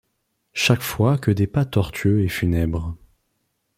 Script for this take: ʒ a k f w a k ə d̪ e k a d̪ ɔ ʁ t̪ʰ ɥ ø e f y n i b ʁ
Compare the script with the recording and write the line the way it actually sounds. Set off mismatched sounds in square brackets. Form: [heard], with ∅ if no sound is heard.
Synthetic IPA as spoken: [ʃ] a k f w a k ə d̪ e [p] a [t̪] ɔ ʁ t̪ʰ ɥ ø e f y n [ɛ] b ʁ